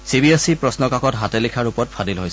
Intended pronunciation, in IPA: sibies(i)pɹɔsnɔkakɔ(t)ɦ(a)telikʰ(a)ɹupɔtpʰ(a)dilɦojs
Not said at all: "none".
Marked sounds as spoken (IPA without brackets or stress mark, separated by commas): i, t, a, a, a